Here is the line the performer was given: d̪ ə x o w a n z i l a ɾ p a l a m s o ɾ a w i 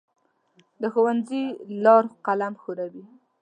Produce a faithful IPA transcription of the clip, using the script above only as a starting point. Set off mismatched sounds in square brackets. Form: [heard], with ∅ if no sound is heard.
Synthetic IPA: d̪ ə x o w a n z i l [ɑ] ɾ [q] a l a m [x] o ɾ a w i